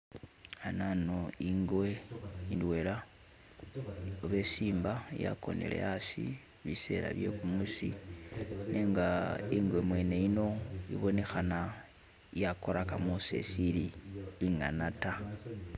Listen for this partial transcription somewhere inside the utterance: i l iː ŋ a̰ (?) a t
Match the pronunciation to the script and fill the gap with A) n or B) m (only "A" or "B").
A